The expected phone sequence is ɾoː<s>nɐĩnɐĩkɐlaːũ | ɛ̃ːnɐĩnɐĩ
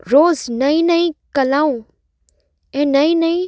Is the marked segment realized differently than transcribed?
yes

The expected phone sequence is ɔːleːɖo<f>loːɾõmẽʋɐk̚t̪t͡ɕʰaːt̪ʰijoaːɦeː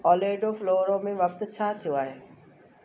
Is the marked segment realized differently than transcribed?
no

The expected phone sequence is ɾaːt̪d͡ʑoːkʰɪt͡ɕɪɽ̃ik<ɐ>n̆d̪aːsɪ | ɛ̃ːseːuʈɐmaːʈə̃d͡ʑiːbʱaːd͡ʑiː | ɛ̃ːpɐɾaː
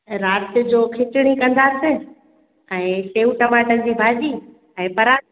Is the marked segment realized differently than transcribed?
yes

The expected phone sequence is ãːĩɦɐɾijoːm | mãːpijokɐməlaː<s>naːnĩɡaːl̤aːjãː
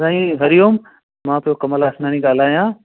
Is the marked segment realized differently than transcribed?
no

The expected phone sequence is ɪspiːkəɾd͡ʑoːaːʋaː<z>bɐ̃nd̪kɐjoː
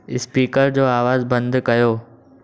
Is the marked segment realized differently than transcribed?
no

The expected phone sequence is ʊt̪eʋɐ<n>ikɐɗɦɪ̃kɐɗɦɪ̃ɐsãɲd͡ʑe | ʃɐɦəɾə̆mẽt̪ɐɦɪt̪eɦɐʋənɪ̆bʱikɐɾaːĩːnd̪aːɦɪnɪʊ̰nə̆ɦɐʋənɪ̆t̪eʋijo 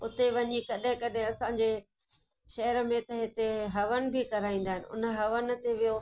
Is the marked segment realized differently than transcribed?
yes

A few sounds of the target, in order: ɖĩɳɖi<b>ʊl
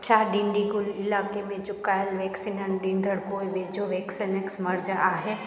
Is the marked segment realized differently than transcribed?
yes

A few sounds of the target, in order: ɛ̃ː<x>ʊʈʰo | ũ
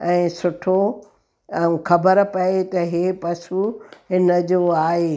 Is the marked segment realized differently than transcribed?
yes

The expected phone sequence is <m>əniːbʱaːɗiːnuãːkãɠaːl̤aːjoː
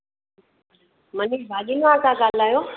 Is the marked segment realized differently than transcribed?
no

